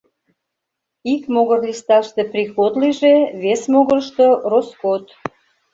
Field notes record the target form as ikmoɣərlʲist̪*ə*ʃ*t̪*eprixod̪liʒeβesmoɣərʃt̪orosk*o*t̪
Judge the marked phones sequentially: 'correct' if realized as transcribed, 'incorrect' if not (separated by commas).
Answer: incorrect, correct, correct